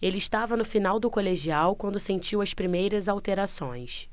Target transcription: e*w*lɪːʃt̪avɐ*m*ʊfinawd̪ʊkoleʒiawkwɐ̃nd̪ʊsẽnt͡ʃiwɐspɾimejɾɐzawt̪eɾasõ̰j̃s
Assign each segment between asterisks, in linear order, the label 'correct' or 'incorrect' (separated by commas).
incorrect, incorrect